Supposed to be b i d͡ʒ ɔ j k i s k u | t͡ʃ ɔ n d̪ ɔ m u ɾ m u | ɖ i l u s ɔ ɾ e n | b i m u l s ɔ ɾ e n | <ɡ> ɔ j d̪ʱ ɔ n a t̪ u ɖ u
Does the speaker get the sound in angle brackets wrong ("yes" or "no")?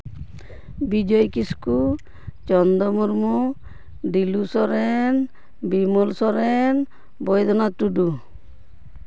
yes